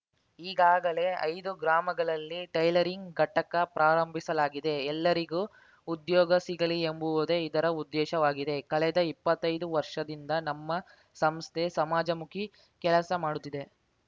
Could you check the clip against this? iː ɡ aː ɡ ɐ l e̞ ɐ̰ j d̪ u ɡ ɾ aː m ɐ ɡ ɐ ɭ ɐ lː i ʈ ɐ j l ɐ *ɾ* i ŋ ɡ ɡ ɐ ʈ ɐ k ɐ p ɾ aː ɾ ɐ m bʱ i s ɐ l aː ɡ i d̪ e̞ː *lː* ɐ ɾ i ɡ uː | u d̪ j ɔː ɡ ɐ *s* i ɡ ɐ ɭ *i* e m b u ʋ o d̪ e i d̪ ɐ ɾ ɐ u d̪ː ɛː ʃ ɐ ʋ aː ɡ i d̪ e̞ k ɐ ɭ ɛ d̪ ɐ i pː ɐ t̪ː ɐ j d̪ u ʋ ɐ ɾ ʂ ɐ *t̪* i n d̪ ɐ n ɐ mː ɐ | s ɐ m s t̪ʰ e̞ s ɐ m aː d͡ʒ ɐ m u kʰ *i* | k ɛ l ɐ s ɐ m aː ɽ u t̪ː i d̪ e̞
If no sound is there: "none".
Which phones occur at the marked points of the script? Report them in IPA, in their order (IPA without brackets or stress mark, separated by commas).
ɾ, lː, s, i, d̪, i